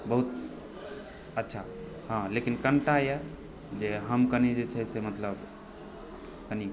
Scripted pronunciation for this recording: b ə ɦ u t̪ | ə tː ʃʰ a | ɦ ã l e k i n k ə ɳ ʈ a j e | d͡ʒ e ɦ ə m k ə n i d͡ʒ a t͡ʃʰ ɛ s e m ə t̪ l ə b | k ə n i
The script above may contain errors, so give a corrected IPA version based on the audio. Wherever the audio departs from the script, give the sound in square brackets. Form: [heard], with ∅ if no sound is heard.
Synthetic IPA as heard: b ə ɦ u t̪ | ə tː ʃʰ a | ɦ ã l e k i n k ə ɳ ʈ a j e | d͡ʒ e ɦ ə m k ə n i d͡ʒ [e] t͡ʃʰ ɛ s e m ə t̪ l ə b | k ə n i